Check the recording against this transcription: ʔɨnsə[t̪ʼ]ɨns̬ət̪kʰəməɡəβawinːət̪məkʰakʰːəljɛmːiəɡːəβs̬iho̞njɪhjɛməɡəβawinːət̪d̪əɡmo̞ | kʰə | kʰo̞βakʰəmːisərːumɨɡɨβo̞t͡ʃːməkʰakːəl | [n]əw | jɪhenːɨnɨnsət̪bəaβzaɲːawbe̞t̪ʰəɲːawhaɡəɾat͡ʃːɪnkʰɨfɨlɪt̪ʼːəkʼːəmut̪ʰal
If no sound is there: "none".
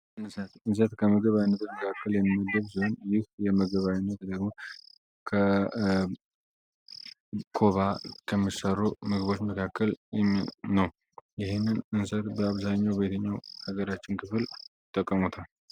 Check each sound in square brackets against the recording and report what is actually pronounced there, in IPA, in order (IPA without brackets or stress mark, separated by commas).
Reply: t̪, n